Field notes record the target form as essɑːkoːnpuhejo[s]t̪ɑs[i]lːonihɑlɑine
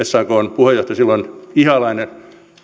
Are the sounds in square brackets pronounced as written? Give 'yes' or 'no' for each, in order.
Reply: no, yes

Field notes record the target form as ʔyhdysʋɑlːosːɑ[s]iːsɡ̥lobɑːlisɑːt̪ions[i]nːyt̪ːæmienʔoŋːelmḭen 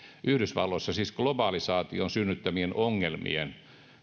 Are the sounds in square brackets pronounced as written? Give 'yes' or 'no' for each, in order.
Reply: yes, no

